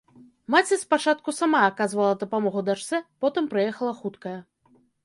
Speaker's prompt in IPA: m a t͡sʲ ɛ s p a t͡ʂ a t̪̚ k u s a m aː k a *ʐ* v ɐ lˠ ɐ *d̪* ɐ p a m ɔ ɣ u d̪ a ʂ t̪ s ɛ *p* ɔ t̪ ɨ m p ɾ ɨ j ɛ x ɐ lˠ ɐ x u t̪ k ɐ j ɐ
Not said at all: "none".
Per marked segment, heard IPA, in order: z, d̪, p

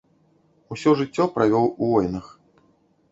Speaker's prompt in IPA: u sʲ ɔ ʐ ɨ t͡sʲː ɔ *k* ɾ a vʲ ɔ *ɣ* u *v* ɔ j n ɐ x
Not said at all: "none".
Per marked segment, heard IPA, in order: p, w, v

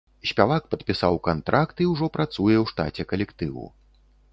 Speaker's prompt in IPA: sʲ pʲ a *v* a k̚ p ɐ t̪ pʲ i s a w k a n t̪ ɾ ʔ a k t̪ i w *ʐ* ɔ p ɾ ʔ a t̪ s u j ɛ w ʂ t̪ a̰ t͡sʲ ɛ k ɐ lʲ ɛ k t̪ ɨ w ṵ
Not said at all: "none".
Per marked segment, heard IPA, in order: v, ʐ

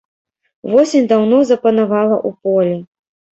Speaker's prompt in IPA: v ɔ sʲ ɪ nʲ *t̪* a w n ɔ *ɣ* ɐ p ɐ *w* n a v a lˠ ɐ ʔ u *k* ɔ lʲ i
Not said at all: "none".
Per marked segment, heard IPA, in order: d̪, z, none, p

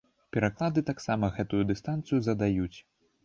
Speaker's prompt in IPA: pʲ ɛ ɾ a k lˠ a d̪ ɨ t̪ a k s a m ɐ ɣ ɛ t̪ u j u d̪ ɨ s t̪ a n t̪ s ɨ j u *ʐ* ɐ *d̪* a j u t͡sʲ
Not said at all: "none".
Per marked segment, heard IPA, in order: z, d̪

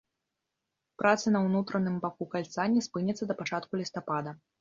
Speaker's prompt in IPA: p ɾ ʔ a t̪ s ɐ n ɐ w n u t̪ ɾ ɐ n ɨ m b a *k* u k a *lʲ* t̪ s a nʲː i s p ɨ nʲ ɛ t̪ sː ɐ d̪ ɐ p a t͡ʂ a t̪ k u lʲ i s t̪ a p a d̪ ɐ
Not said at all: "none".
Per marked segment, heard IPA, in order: k, lʲ

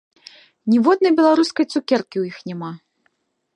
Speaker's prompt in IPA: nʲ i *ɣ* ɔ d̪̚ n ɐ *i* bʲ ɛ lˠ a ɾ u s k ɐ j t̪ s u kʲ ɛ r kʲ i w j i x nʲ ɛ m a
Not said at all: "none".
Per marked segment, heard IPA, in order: v, j

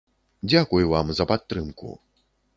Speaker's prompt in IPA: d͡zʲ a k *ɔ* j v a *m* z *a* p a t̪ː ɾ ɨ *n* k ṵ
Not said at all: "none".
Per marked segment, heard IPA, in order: u, m, ɐ, m

